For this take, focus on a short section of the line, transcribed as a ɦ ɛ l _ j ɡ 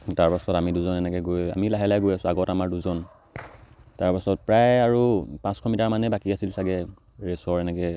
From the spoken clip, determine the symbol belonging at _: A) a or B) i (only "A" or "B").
A